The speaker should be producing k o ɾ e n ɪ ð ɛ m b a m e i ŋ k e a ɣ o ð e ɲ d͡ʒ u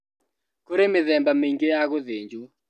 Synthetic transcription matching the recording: k o ɾ e m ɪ ð ɛ m b a m e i ŋ ɡ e a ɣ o ð e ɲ d͡ʒ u